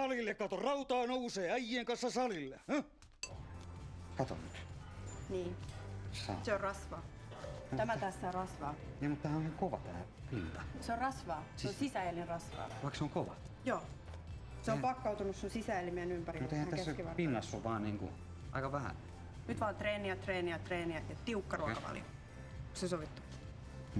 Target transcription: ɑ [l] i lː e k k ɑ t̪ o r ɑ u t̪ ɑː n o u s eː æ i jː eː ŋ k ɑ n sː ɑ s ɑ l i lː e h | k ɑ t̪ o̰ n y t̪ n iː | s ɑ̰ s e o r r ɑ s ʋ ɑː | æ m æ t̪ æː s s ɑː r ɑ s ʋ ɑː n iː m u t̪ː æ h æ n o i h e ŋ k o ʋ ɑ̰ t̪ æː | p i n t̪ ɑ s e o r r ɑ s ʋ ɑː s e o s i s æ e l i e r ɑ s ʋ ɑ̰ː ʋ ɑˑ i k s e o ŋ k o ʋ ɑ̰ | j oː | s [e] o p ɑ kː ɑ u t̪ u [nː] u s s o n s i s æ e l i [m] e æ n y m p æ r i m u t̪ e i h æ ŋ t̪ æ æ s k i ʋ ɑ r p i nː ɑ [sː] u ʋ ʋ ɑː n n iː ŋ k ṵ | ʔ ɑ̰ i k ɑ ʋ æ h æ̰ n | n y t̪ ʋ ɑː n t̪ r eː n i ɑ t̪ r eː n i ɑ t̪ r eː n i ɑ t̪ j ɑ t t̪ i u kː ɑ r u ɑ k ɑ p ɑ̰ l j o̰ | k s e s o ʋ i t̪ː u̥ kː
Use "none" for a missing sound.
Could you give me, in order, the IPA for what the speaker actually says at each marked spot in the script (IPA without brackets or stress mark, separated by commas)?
l, e, n, m, sː